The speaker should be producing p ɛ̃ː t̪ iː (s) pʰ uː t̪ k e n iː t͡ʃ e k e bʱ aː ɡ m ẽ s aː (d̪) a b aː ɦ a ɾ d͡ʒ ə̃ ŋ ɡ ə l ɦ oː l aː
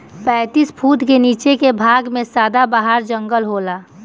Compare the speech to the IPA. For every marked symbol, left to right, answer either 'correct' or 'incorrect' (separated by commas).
correct, correct